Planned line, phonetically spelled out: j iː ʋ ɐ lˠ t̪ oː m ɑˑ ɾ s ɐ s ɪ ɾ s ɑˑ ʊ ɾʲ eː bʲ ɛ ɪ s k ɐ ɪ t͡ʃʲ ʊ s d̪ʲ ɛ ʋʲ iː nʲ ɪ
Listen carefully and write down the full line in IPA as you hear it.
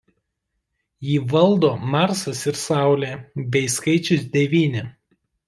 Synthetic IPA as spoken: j iː ʋ ɐ lˠ d̪ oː m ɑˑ ɾ s ɐ s ɪ ɾ s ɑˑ ʊ lʲ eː bʲ ɛ ɪ s k ɐ ɪ t͡ʃʲ ʊ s d̪ʲ ɛ ʋʲ iː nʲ ɪ